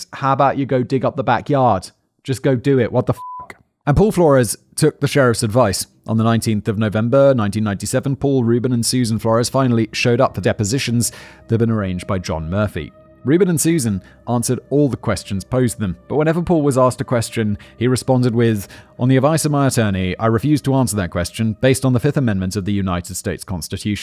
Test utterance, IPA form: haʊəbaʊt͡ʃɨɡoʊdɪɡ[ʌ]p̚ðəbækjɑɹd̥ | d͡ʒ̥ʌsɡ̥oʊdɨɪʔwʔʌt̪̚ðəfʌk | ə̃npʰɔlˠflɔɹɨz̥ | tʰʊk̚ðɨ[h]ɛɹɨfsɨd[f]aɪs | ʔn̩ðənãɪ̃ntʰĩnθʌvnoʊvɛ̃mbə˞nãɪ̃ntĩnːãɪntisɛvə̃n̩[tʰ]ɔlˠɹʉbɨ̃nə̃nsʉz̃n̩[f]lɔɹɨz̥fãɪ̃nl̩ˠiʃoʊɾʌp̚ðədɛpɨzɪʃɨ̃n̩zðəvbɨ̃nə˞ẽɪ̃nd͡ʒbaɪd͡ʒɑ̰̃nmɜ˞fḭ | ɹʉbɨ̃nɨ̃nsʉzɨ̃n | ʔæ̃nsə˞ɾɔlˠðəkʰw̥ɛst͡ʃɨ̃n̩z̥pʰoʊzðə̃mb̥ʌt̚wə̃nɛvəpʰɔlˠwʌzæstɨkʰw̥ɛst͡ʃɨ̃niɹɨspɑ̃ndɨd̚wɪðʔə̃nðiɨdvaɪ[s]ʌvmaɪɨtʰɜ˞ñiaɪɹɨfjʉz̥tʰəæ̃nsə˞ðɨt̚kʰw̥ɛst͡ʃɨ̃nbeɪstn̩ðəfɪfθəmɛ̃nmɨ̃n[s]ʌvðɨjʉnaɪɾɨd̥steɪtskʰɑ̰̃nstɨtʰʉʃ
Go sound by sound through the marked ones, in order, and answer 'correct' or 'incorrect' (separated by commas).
correct, incorrect, incorrect, incorrect, correct, correct, incorrect